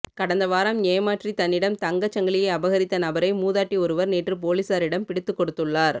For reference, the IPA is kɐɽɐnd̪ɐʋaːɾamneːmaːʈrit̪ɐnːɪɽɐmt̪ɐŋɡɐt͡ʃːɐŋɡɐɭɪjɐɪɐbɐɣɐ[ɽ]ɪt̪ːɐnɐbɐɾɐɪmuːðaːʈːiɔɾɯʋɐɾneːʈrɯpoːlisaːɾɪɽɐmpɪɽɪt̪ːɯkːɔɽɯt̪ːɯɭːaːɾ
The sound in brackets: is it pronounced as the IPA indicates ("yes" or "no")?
no